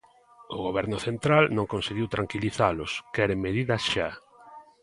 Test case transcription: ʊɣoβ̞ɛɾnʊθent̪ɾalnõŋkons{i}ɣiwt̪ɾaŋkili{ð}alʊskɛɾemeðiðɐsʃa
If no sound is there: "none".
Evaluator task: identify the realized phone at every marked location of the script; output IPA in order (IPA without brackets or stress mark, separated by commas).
e, θ